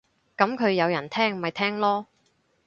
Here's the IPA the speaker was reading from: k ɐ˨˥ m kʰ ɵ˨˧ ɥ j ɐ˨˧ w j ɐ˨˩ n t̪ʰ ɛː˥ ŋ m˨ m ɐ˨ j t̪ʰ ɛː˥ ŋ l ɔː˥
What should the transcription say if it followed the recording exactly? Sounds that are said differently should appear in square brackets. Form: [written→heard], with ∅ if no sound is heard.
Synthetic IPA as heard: k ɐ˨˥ m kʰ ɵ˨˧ ɥ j ɐ˨˧ w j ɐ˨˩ n t̪ʰ ɛː˥ ŋ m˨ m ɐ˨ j t̪ʰ ɛː˥ ŋ l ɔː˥